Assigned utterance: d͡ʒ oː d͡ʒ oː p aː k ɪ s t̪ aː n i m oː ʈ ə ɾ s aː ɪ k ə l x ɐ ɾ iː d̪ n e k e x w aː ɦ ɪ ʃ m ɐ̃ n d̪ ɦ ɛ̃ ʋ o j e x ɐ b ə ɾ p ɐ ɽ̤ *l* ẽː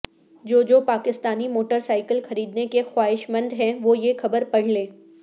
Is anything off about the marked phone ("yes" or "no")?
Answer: no